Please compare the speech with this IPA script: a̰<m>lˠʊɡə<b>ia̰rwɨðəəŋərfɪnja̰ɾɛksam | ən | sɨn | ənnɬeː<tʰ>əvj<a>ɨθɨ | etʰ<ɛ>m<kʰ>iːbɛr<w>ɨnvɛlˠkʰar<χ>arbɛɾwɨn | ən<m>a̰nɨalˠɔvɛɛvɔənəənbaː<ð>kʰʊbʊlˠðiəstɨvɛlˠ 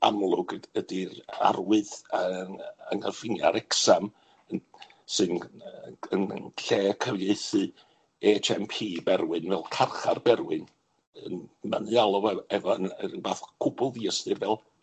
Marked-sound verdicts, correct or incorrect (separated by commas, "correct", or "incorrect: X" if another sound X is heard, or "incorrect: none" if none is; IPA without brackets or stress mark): correct, incorrect: d, incorrect: kʰ, incorrect: e, correct, incorrect: pʰ, correct, correct, correct, incorrect: θ